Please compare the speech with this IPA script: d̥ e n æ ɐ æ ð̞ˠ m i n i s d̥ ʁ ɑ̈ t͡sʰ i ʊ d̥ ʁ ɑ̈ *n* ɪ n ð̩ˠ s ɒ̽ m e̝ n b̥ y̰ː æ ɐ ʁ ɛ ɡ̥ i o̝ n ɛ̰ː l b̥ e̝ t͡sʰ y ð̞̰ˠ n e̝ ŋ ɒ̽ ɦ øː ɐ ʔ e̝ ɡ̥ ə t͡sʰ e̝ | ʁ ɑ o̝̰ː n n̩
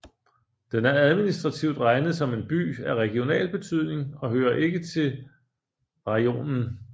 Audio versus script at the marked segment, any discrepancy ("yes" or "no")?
yes